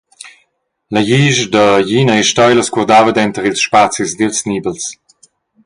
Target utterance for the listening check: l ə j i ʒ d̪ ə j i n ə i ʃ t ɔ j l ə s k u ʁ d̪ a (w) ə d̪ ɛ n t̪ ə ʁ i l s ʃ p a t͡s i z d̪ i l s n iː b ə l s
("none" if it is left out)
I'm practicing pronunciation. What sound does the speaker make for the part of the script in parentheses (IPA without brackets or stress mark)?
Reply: v